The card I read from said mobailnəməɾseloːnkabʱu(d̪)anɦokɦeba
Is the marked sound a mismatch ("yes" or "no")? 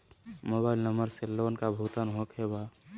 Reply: yes